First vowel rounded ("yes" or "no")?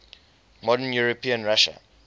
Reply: yes